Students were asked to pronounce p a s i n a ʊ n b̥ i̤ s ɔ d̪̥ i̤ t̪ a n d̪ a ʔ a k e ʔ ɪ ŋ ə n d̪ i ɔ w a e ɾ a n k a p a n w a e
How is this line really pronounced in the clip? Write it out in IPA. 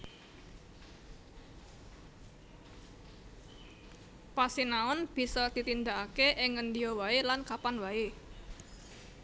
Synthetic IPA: p a s i n a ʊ n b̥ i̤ s ɔ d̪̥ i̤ t̪ i n d̪ a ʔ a k e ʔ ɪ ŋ ə n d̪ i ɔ w a e l a n k a p a n w a e